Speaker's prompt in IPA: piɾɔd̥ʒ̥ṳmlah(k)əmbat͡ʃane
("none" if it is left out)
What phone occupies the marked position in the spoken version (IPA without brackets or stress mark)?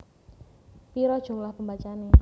p